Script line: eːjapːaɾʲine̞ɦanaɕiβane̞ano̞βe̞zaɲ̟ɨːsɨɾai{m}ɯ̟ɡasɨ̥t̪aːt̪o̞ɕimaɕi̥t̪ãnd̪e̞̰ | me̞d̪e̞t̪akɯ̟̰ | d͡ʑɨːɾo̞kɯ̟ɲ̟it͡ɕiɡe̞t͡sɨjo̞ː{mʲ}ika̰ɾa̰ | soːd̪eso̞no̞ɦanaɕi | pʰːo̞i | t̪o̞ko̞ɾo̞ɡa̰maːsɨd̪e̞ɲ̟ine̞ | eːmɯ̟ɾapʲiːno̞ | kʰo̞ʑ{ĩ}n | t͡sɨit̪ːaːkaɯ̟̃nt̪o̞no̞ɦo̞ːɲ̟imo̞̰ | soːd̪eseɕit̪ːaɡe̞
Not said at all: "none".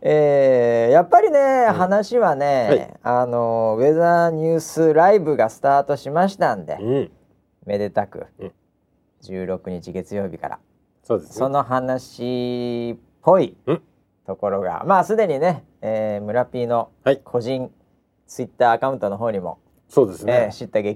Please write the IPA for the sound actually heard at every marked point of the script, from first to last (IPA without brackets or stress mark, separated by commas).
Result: b, bʲ, ĩ